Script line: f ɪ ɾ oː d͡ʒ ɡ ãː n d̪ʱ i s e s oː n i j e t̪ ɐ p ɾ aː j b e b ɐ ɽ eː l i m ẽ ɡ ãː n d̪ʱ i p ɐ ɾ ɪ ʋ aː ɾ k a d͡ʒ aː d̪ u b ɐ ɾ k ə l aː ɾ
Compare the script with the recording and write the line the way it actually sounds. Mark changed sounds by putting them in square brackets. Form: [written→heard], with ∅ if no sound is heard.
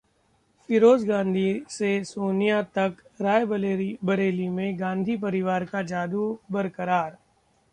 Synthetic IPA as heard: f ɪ ɾ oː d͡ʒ ɡ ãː n d̪ʱ i s e s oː n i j [e→a] t̪ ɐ [p→k] ɾ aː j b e b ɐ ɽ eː l i m ẽ ɡ ãː n d̪ʱ i p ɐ ɾ ɪ ʋ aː ɾ k a d͡ʒ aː d̪ u b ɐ ɾ k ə [l→ɾ] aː ɾ